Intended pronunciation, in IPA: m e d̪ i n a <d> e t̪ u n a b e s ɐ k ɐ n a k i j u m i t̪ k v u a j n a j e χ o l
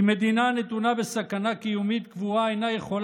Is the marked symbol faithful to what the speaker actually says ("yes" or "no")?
no